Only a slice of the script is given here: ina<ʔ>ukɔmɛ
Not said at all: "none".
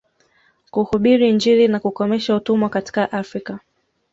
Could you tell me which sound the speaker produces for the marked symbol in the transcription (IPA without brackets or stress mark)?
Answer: k